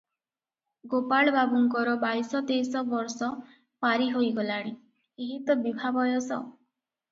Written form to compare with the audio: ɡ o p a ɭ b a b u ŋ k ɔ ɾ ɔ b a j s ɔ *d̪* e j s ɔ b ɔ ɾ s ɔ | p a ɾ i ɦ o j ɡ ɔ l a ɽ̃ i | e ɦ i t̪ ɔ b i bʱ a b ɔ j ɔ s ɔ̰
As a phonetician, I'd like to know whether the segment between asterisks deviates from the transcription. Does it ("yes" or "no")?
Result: yes